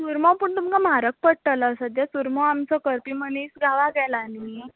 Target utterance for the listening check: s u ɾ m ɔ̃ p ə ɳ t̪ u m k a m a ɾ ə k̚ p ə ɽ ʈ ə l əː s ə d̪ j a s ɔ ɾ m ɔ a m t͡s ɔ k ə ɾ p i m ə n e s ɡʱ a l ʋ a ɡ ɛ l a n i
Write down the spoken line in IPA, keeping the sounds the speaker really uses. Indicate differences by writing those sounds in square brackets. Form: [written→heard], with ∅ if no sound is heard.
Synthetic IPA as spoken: s u ɾ m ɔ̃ p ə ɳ t̪ u m k a m a ɾ ə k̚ p ə ɽ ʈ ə l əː s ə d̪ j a s [ɔ→u] ɾ m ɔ a m t͡s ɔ k ə ɾ p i m ə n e s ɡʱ a [l→∅] ʋ a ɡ ɛ l a n i

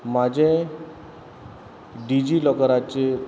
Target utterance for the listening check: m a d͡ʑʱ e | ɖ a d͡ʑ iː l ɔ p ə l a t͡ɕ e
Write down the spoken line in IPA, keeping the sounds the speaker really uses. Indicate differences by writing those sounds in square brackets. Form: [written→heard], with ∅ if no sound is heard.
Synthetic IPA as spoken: m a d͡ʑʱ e | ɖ [a→i] d͡ʑ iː l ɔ [p→k] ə [l→ɾ] a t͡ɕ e

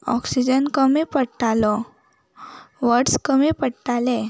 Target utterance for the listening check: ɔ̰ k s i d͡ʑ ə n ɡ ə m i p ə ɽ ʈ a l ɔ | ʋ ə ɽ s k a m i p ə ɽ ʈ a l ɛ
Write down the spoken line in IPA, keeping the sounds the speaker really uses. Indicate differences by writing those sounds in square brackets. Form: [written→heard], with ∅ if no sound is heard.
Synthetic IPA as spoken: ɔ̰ k s i d͡ʑ ə n [ɡ→k] ə m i p ə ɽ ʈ a l ɔ | ʋ ə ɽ s k [a→ə] m i p ə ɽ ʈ a l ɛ

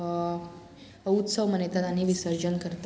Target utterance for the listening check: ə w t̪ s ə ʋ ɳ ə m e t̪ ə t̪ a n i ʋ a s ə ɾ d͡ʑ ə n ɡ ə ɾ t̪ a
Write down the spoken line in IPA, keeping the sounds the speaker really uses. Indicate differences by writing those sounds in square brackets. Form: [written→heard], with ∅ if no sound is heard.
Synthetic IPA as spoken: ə [w→u] t̪ s ə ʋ [ɳ→m] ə [m→n] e t̪ [ə→a] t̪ a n i ʋ [a→i] s ə ɾ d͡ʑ ə n [ɡ→k] ə ɾ t̪ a

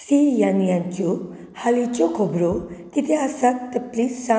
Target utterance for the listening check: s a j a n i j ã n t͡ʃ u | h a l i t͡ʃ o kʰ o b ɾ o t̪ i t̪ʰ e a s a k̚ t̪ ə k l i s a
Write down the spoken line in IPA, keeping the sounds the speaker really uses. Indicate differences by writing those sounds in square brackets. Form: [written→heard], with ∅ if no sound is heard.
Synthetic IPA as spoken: s [a→i] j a n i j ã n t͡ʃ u | h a l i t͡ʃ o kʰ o b ɾ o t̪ i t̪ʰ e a s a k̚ t̪ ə [k→p] l i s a

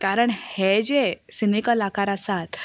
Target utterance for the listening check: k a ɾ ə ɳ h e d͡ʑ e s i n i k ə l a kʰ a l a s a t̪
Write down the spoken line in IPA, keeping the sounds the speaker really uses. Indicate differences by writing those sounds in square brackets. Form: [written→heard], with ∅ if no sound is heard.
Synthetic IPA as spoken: k a ɾ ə ɳ h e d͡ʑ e s i n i k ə l a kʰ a [l→ɾ] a s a t̪

